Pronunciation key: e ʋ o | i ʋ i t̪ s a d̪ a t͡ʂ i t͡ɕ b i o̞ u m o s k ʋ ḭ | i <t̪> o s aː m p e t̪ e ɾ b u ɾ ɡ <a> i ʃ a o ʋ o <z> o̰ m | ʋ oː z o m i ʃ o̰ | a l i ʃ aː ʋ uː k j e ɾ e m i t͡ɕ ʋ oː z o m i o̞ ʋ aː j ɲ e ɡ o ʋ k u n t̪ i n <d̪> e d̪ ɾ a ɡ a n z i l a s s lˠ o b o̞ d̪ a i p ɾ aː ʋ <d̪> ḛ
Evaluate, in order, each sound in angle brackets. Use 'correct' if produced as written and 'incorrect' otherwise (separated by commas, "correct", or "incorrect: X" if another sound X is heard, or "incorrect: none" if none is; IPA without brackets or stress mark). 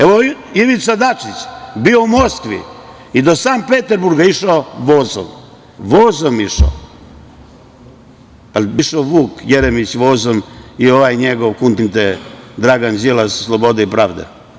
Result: incorrect: d̪, correct, correct, incorrect: t̪, correct